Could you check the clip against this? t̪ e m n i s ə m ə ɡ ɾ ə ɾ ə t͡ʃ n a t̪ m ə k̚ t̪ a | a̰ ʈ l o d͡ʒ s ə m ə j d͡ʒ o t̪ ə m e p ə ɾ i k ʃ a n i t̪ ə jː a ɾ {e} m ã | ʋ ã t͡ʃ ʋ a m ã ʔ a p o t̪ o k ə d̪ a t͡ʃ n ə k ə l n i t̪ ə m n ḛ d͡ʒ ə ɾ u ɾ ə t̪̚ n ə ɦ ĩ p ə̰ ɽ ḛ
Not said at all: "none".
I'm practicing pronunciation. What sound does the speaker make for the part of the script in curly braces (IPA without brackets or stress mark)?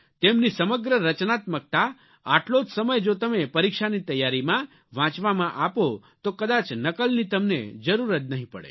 i